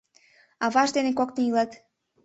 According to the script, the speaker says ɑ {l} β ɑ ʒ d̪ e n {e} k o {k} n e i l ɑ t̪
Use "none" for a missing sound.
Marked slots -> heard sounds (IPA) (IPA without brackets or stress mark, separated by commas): none, e, k